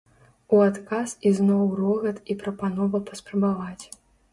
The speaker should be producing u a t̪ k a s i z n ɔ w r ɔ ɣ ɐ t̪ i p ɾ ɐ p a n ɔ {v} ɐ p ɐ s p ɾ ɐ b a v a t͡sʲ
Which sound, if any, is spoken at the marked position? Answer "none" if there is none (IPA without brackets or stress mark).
v